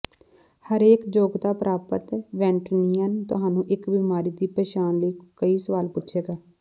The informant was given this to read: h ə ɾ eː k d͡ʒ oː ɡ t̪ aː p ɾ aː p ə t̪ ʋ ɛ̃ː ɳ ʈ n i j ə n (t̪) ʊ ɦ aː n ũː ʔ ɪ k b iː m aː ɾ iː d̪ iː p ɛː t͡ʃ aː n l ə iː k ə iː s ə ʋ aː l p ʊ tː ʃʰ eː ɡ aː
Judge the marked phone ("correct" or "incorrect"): correct